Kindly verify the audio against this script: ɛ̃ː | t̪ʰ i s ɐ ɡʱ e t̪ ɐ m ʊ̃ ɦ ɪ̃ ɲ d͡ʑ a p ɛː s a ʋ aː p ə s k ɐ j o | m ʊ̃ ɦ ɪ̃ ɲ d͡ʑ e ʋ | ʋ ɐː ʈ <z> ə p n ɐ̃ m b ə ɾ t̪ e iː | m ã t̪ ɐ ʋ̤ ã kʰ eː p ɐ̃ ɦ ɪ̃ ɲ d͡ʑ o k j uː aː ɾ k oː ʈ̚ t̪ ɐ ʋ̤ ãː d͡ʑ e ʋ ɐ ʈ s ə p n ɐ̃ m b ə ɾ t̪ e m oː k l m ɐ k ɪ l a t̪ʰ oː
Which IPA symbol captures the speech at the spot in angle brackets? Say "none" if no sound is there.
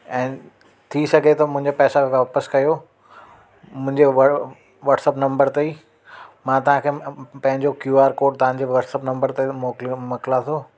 s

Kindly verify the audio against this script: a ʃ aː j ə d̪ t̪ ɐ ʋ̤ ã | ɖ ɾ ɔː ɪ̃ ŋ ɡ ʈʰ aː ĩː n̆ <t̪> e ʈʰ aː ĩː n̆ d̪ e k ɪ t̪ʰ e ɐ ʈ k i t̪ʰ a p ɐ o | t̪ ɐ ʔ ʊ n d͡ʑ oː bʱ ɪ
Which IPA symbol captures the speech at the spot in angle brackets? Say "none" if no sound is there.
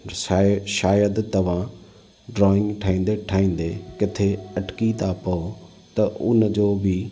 d̪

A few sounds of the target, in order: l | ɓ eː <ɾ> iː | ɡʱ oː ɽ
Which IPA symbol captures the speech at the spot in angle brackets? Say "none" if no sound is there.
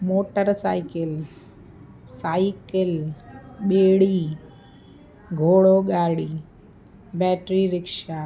ɽ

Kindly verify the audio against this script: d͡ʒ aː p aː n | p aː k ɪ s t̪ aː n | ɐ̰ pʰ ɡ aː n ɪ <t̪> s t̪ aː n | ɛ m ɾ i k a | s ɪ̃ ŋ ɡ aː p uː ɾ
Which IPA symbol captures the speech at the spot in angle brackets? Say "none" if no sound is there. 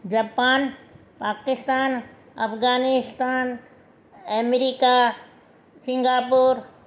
none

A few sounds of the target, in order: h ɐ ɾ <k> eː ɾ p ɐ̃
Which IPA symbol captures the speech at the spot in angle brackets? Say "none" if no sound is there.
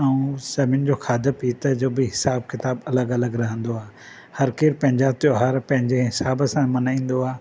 k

